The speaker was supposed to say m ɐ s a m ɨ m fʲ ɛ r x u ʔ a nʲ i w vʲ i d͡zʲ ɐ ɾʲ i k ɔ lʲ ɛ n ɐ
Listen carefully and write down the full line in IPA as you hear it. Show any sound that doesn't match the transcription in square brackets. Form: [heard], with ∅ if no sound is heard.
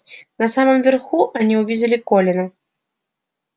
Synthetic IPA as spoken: [n] ɐ s a m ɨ m [vʲ] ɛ r x u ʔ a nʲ i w vʲ i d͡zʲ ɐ [lʲ] i k ɔ lʲ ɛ n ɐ